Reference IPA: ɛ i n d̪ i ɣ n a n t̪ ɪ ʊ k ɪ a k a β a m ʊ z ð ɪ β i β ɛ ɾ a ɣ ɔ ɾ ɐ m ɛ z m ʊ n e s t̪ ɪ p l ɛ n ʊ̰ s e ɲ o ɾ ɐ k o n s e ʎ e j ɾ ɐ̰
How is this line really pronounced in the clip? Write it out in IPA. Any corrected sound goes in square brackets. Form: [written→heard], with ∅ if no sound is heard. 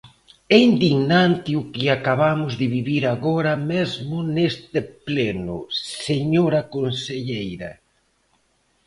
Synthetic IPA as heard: ɛ i n d̪ i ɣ n a n t̪ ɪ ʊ k ɪ a k a β a m ʊ z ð ɪ β i β [ɛ→i] ɾ a ɣ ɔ ɾ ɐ m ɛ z m ʊ n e s t̪ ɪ p l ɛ n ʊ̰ s e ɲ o ɾ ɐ k o n s e ʎ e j ɾ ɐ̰